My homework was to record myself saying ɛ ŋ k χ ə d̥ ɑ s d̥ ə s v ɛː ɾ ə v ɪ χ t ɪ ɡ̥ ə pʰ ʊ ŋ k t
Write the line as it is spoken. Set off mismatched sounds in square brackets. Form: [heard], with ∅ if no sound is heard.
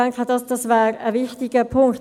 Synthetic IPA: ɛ ŋ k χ ə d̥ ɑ s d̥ [ɑ] s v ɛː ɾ ə v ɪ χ t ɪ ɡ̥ ə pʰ ʊ ŋ k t